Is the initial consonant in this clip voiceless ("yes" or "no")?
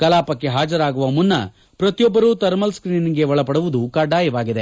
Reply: yes